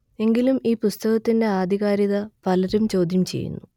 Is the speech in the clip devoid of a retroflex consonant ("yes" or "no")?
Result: yes